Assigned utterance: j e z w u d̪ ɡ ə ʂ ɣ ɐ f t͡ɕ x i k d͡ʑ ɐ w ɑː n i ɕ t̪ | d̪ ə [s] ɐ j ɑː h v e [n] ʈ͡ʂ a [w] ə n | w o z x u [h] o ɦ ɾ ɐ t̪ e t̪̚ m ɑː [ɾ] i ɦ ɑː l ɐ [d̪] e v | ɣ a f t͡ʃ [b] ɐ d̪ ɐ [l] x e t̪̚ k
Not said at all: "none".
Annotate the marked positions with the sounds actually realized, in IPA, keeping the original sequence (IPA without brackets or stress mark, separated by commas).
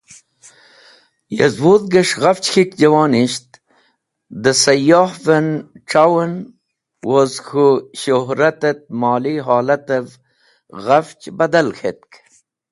s, n, w, ɕ, l, t̪, b, l